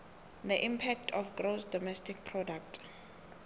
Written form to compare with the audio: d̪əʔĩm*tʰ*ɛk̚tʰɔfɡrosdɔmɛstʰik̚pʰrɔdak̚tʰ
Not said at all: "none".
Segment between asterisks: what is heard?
pʰ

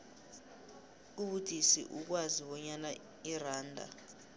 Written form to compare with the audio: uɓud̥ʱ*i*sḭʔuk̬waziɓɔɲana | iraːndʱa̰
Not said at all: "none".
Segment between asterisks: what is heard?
i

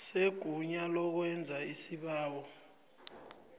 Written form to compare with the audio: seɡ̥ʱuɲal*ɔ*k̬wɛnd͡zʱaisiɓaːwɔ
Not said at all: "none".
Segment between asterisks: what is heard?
ɔ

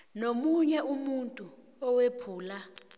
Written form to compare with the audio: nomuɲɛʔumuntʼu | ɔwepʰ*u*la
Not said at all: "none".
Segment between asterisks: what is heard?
uː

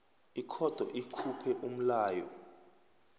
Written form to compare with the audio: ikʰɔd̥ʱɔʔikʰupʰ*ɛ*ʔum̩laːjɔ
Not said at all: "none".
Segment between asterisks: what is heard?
ɛ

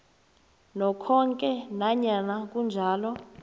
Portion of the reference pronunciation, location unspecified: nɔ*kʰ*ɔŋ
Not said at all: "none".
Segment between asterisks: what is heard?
kʰ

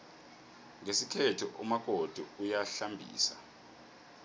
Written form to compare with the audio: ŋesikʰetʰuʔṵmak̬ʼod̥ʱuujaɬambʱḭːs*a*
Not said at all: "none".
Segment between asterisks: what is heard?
a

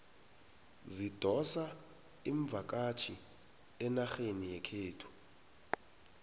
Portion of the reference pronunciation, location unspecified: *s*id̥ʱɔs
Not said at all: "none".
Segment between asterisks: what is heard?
z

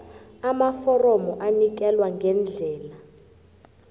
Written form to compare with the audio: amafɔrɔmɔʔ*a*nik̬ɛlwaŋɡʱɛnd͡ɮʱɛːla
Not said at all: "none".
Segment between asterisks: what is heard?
a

